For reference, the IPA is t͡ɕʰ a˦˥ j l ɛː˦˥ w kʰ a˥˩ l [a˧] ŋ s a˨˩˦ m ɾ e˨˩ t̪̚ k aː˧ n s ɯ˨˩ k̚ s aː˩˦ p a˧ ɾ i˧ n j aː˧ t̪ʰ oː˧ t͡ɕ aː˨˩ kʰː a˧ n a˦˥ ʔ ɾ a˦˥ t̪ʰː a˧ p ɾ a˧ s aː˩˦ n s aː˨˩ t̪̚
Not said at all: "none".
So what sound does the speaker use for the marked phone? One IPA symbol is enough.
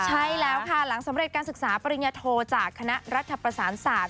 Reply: a˩˦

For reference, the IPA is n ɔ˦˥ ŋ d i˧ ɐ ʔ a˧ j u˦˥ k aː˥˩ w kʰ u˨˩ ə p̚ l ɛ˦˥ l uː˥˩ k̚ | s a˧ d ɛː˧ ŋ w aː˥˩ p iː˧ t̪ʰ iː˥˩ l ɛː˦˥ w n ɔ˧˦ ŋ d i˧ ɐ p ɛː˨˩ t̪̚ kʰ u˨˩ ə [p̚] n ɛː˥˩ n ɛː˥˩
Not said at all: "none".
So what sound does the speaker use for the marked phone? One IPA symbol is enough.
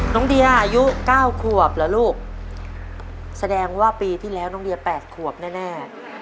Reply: p̚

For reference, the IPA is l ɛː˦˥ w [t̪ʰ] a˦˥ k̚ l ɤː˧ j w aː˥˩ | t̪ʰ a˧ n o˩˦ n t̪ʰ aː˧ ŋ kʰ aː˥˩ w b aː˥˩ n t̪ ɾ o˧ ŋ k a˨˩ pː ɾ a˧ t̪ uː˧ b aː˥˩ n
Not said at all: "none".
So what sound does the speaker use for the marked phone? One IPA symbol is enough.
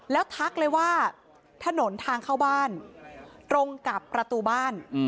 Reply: t̪ʰ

